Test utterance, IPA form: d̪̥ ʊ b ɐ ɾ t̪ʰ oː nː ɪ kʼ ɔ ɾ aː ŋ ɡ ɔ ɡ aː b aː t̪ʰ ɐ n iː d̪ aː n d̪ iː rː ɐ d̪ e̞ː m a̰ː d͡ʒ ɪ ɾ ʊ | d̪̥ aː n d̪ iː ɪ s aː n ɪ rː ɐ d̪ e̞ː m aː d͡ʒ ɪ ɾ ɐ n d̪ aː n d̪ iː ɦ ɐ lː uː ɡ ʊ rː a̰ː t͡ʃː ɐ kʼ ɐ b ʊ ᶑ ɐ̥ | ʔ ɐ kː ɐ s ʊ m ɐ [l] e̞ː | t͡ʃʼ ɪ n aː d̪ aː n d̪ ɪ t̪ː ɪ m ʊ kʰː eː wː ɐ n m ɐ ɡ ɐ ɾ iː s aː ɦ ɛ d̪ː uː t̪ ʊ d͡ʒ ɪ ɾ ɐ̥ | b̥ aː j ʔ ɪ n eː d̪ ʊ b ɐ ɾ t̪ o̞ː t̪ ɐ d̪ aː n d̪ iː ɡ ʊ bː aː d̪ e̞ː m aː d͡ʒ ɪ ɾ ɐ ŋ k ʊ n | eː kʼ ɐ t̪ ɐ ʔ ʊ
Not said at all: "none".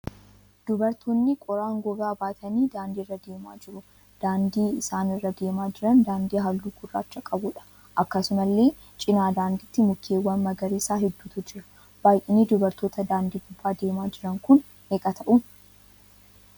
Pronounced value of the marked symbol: lː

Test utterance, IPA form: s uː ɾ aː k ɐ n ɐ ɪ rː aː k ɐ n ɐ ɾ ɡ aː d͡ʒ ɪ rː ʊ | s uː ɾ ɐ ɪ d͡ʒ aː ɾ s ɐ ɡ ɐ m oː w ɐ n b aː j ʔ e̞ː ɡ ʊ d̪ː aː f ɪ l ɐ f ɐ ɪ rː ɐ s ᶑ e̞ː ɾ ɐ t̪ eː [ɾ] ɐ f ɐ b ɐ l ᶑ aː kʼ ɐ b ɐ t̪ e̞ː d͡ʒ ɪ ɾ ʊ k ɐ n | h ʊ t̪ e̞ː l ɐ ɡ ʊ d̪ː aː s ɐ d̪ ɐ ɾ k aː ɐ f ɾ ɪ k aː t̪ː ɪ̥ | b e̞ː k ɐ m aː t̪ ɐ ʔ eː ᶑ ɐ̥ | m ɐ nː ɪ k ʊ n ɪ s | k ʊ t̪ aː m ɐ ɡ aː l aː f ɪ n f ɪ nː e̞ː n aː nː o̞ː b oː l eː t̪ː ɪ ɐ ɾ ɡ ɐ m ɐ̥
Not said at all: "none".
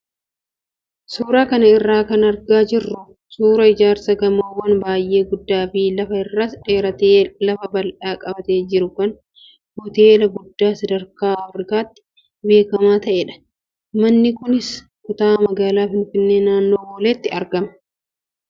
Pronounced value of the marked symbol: l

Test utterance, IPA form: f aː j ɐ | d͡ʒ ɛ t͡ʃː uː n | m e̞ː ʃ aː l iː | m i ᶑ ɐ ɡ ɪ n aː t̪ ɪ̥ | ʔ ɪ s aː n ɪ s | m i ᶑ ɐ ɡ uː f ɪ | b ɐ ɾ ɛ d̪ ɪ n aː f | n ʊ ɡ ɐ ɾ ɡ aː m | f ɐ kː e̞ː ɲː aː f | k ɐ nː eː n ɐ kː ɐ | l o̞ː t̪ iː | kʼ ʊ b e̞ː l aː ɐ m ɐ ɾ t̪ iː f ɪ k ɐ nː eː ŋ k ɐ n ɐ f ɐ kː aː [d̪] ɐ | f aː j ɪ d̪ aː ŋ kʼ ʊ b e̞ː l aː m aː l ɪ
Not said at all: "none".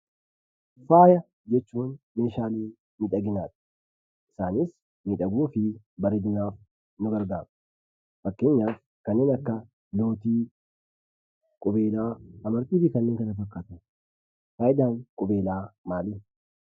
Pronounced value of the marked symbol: t̪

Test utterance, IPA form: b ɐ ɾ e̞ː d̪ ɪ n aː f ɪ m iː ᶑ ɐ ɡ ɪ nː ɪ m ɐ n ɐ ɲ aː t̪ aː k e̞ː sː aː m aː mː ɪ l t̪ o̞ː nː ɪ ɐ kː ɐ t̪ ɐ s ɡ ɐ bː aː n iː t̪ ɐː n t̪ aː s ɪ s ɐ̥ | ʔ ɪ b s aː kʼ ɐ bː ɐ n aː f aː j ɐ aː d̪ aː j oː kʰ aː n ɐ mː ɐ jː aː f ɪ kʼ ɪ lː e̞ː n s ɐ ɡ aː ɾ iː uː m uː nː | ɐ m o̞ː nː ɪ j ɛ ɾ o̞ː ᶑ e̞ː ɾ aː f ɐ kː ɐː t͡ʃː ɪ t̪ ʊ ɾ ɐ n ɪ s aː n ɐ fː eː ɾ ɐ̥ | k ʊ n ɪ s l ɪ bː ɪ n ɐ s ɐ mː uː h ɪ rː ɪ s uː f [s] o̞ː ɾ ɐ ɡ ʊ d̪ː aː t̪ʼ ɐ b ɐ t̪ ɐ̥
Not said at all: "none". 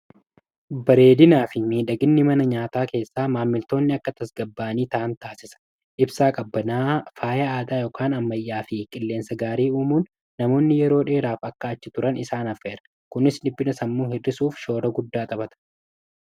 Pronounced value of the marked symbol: ʃ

